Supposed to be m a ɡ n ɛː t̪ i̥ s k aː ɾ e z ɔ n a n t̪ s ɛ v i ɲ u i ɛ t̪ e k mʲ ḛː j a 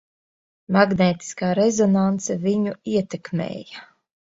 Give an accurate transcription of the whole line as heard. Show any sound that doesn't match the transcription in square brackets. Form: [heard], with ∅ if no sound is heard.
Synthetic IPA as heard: m a ɡ n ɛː t̪ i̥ s k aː ɾ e z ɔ n a n t̪ s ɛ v i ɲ u i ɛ t̪ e k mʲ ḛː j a